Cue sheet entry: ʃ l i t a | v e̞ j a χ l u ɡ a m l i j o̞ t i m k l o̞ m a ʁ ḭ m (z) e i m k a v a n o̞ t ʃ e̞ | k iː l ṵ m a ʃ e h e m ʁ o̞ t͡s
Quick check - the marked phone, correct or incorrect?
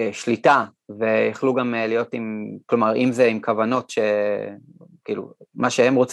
correct